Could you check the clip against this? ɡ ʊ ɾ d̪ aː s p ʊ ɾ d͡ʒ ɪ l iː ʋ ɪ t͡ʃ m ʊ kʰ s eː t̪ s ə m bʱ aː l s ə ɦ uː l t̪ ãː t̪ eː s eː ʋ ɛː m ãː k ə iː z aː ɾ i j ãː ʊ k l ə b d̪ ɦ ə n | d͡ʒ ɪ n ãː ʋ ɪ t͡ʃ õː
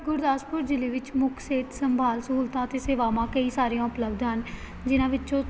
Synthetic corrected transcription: ɡ ʊ ɾ d̪ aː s p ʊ ɾ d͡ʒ ɪ l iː ʋ ɪ t͡ʃ m ʊ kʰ s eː t̪ s ə m bʱ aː l s ə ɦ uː l t̪ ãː t̪ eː s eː ʋ aː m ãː k ə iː s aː ɾ i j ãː ʊ p l ə b d̪ ɦ ə n | d͡ʒ ɪ n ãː ʋ ɪ t͡ʃ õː

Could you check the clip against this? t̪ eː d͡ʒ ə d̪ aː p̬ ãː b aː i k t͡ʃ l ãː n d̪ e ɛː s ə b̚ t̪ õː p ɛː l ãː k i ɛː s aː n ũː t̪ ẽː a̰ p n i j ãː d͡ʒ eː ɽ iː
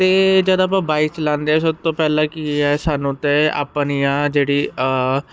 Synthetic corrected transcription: t̪ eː d͡ʒ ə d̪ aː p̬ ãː b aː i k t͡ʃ l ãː n d̪ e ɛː s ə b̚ t̪ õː p ɛː l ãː k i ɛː s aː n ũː t̪ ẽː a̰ p n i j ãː d͡ʒ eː ɽ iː

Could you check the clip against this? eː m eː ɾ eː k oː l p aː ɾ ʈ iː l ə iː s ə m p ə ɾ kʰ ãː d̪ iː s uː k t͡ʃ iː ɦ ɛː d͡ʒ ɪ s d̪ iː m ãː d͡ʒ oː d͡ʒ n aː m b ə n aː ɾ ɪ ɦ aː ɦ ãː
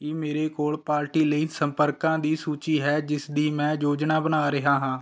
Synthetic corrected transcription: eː m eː ɾ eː k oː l p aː ɾ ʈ iː l ə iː s ə m p ə ɾ k ãː d̪ iː s uː t͡ʃ iː ɦ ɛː d͡ʒ ɪ s d̪ iː m ɛ̃ː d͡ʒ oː d͡ʒ n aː b ə n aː ɾ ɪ ɦ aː ɦ ãː

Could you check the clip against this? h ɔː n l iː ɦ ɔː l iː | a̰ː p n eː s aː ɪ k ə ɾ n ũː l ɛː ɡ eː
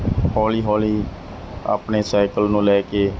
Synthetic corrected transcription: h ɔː l iː ɦ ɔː l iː | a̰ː p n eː s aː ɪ k ə l n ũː l ɛː k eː

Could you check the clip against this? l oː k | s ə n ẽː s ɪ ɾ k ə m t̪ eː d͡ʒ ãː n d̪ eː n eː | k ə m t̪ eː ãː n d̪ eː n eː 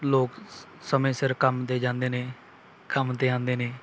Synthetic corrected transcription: l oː k | s ə m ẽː s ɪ ɾ k ə m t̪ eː d͡ʒ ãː n d̪ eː n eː | k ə m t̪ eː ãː n d̪ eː n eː

